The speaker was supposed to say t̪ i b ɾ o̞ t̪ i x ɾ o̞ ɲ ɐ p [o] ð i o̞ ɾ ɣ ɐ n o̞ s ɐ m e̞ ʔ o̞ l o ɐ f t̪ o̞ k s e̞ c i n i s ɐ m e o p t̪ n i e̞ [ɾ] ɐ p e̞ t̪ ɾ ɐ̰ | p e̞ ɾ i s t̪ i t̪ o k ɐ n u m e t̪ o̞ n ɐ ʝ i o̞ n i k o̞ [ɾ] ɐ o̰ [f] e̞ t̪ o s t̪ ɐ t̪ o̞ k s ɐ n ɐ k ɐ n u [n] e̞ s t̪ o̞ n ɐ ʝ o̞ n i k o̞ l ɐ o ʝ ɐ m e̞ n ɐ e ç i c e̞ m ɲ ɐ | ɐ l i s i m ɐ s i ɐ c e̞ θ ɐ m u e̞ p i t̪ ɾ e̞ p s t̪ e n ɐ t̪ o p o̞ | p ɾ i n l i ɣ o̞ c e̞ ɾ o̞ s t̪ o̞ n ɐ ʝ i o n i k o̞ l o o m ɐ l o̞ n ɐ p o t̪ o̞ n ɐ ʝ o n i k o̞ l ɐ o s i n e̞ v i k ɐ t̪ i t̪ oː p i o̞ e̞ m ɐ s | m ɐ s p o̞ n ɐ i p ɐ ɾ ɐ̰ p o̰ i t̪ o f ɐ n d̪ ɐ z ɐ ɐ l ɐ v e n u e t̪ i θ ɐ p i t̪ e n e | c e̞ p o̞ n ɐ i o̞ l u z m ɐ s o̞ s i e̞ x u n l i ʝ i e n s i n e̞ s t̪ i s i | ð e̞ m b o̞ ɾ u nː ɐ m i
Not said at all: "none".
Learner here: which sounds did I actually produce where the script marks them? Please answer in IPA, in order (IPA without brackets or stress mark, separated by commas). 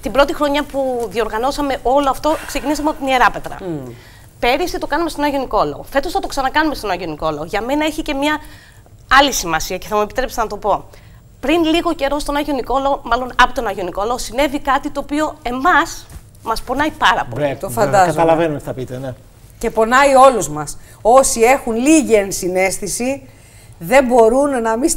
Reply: u, ɾ, l, f, m